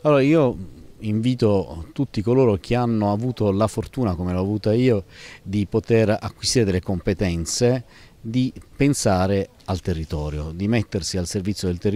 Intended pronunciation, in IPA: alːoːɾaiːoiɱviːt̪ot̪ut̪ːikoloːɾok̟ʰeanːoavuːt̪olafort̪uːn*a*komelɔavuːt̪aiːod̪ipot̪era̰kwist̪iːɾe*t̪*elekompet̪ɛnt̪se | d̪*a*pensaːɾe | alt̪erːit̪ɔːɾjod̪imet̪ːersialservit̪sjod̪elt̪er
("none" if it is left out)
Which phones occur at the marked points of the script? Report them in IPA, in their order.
a, d̪, i

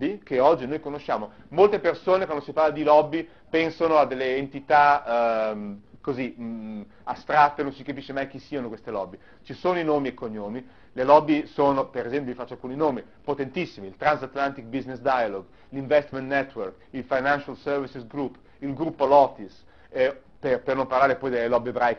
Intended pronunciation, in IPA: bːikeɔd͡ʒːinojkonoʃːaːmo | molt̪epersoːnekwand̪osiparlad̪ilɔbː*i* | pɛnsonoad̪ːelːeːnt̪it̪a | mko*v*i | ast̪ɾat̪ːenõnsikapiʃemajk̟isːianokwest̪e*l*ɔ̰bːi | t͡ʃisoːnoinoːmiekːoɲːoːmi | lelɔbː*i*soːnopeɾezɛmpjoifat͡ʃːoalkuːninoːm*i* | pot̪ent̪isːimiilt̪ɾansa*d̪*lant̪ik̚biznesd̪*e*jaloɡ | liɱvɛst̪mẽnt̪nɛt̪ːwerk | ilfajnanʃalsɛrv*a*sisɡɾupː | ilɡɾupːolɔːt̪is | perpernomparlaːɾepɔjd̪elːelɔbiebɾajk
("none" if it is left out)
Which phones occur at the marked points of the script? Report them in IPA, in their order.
i, z, l, i, i, t̪, a, i

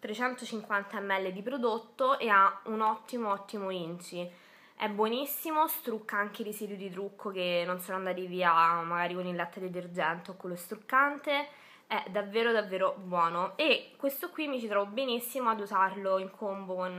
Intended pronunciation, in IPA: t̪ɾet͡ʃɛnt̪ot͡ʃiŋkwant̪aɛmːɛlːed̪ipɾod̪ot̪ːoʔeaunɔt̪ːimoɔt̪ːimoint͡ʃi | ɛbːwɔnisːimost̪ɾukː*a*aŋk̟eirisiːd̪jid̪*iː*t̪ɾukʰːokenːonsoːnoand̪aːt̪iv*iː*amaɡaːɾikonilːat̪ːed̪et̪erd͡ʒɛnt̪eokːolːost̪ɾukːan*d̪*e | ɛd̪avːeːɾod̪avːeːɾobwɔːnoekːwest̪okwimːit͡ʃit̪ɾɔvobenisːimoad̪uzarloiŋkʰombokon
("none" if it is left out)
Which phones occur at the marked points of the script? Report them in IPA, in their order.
a, i, iː, t̪

